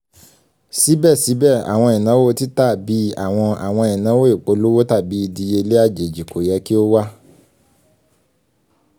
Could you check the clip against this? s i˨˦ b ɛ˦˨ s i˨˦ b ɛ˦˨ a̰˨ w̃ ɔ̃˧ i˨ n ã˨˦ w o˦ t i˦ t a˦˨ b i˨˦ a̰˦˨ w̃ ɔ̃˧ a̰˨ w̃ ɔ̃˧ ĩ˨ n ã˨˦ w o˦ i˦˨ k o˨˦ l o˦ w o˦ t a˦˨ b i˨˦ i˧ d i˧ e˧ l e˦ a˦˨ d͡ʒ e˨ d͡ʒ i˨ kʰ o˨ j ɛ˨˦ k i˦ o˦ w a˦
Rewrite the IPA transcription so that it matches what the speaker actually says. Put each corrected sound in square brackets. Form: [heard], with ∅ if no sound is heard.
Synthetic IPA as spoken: s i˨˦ b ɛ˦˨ s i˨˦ b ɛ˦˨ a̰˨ w̃ ɔ̃˧ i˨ n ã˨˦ w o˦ t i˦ t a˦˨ b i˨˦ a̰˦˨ w̃ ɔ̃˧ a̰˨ w̃ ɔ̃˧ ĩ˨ n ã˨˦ w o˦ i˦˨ [k͡p] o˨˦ l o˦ w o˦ t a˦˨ b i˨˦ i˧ d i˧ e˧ l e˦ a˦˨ d͡ʒ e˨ d͡ʒ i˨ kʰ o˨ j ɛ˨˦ k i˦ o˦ w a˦